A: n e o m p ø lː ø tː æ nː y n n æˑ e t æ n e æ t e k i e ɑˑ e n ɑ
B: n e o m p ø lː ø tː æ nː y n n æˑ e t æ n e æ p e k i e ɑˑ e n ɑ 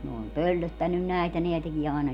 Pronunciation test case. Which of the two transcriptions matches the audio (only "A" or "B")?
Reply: A